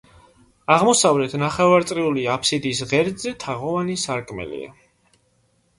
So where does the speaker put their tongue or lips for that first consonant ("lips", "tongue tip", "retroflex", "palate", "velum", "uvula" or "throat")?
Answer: uvula